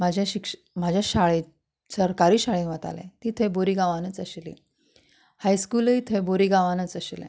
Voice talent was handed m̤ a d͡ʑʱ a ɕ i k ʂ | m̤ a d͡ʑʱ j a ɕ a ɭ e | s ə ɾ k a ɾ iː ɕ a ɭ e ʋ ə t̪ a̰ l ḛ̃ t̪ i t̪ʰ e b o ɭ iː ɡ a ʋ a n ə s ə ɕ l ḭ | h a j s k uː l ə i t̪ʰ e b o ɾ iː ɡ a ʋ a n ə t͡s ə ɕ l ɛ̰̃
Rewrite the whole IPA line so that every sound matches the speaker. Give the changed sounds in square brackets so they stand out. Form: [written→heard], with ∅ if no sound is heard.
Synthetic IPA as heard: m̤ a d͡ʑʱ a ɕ i k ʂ | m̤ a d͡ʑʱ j a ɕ a ɭ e | s ə ɾ k a ɾ iː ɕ a ɭ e ʋ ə t̪ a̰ l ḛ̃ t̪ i t̪ʰ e b o [ɭ→ɾ] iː ɡ a ʋ a n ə [s→t͡s] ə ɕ l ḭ | h a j s k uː l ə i t̪ʰ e b o ɾ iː ɡ a ʋ a n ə t͡s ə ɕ l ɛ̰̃